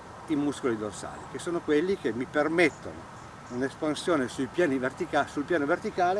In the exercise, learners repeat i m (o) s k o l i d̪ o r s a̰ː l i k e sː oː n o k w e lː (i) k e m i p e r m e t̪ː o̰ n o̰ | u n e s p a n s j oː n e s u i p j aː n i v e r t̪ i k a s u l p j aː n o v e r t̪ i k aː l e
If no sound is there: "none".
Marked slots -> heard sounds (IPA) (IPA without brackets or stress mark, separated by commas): u, i